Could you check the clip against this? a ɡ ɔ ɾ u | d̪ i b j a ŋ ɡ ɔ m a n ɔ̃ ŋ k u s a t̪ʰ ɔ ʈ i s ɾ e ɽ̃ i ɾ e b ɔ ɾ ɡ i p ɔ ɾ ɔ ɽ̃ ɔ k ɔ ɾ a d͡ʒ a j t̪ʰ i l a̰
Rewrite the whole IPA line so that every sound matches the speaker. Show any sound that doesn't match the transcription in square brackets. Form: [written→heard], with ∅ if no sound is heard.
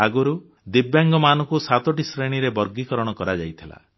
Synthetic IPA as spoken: a ɡ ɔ ɾ u | d̪ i b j a ŋ ɡ ɔ m a n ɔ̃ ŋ k u s a [t̪ʰ→t̪] ɔ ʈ i s ɾ e ɽ̃ i ɾ e b ɔ ɾ ɡ i [p→k] ɔ ɾ ɔ ɽ̃ ɔ k ɔ ɾ a d͡ʒ a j t̪ʰ i l a̰

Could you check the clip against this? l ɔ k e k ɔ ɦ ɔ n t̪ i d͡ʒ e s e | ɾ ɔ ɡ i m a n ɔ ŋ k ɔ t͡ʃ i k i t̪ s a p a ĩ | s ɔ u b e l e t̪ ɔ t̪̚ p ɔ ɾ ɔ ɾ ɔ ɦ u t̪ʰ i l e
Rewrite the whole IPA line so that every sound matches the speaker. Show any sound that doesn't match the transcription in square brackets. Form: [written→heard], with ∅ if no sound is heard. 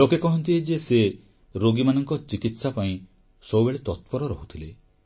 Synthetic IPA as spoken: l [ɔ→o] k e k ɔ ɦ ɔ n t̪ i d͡ʒ e s e | ɾ [ɔ→o] ɡ i m a n ɔ ŋ k ɔ t͡ʃ i k i t̪ s a p a ĩ | s ɔ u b e [l→ɭ] e t̪ ɔ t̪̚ p ɔ ɾ ɔ ɾ ɔ ɦ u t̪ʰ i l e

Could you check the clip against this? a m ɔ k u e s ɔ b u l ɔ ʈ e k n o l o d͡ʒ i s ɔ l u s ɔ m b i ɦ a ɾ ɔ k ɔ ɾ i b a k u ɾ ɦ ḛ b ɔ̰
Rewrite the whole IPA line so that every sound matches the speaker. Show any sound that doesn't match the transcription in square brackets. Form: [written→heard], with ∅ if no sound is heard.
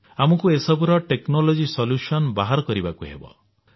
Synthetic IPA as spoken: a m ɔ k u e s ɔ b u [l→ɾ] ɔ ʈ e k n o l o d͡ʒ i s ɔ l u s ɔ [m→n] b [i→a] ɦ a ɾ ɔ k ɔ ɾ i b a k u [ɾ→∅] ɦ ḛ b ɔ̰

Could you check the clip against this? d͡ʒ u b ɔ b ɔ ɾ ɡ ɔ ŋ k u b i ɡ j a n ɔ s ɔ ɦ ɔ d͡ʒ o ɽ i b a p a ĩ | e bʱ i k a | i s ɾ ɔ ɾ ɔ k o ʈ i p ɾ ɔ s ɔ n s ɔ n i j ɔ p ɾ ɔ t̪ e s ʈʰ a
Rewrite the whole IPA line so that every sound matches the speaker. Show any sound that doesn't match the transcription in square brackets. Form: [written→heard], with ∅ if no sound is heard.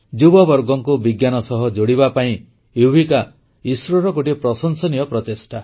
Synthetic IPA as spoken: d͡ʒ u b ɔ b ɔ ɾ ɡ ɔ ŋ k u b i ɡ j a n ɔ s ɔ ɦ ɔ d͡ʒ o ɽ i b a p a ĩ | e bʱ i k a | i s ɾ ɔ ɾ ɔ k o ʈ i p ɾ ɔ s ɔ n s ɔ n i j ɔ p ɾ ɔ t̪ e s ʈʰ a

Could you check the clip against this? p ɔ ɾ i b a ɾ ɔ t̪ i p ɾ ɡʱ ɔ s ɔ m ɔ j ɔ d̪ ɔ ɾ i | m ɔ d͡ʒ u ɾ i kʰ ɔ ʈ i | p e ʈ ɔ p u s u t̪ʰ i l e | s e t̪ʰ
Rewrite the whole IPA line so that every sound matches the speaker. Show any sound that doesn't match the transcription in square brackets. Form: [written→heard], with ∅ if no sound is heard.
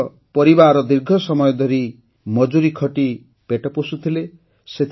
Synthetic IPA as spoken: p ɔ ɾ i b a ɾ ɔ [t̪→d̪] i [p→∅] ɾ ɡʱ ɔ s ɔ m ɔ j ɔ d̪ ɔ ɾ i | m ɔ d͡ʒ u ɾ i kʰ ɔ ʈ i | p e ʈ ɔ p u s u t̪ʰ i l e | s e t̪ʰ

